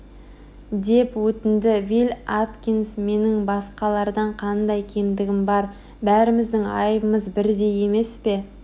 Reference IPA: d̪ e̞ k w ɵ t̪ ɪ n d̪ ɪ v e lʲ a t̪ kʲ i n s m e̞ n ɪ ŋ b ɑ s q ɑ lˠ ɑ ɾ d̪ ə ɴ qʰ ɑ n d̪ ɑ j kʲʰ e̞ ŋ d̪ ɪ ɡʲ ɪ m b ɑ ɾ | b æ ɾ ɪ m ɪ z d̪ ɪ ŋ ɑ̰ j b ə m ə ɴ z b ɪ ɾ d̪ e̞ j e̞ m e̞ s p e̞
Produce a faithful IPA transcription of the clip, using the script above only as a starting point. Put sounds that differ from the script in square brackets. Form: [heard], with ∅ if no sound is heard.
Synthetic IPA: d̪ e̞ [p] w ɵ t̪ ɪ n d̪ ɪ v [i] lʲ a t̪ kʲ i n s m e̞ n ɪ ŋ b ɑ s q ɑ lˠ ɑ ɾ d̪ [ɑ] ɴ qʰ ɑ n d̪ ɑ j kʲʰ e̞ [m] d̪ ɪ ɡʲ ɪ m b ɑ ɾ | b æ ɾ ɪ m ɪ z d̪ ɪ ŋ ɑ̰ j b ə m ə [∅] z b ɪ ɾ d̪ e̞ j e̞ m e̞ s p e̞